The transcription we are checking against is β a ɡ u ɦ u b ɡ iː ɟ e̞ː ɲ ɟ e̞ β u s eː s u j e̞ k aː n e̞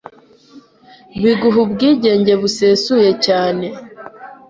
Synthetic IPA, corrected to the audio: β i ɡ u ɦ u b ɡ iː ɟ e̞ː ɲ ɟ e̞ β u s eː s u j e̞ c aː n e̞